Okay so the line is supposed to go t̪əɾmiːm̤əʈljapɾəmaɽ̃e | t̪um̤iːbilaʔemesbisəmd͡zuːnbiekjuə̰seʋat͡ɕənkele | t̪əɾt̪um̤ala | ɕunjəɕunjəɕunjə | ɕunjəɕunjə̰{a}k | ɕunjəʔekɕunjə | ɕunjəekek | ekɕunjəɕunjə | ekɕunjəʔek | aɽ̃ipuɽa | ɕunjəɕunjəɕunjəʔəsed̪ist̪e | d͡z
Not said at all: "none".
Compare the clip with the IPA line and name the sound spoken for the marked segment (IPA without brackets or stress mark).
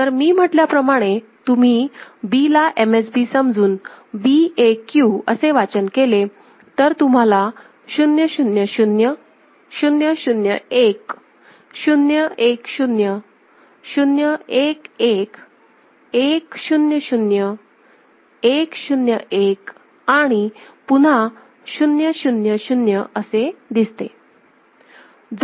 e